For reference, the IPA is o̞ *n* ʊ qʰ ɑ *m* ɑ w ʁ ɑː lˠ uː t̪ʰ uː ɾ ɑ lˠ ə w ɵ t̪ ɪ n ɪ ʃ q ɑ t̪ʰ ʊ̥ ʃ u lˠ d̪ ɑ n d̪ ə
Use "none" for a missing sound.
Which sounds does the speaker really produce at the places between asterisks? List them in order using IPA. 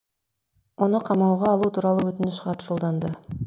n, m

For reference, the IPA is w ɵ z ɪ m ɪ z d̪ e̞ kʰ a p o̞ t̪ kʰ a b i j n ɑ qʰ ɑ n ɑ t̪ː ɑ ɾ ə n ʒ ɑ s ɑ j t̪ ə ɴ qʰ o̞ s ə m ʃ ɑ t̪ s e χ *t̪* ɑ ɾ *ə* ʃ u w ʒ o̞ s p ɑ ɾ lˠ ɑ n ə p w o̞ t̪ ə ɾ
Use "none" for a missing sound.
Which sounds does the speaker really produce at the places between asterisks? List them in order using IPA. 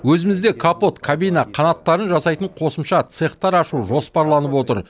t̪, ɑ

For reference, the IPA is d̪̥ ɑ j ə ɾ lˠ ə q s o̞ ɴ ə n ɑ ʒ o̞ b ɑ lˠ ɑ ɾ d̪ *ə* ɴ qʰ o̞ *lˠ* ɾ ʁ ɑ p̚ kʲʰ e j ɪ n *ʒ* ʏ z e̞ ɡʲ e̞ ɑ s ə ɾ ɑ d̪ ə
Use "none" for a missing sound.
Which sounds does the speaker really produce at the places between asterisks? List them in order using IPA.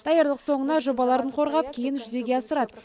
ə, none, ʒ

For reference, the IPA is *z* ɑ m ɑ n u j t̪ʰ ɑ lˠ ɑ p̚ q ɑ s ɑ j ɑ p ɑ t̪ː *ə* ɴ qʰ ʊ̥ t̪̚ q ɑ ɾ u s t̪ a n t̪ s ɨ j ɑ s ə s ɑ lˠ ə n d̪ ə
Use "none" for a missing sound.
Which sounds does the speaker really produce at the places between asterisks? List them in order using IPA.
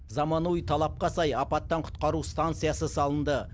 z, ɑ

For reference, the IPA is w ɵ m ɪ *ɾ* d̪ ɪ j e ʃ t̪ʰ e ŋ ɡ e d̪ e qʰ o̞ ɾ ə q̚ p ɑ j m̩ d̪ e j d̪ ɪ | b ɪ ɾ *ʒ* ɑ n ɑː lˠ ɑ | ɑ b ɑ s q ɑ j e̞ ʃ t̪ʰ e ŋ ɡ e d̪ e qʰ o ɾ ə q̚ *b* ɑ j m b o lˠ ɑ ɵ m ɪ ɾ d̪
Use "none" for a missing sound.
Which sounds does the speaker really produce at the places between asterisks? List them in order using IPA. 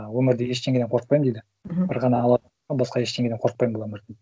ɾ, ʁ, p

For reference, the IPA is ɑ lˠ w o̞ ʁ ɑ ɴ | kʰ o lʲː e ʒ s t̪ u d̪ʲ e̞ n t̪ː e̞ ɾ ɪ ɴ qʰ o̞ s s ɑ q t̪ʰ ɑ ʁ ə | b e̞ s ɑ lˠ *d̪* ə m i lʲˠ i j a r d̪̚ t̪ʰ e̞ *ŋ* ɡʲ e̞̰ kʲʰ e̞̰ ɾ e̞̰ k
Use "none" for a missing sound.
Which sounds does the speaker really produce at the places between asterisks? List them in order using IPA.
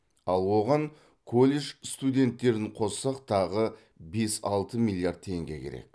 t̪, ŋ

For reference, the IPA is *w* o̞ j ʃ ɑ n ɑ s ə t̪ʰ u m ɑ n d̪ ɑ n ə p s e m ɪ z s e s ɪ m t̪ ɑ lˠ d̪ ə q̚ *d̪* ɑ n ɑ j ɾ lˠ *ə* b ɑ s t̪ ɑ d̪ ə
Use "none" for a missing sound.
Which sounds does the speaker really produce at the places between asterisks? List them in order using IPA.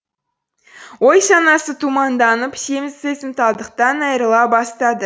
w, t̪, ɑ

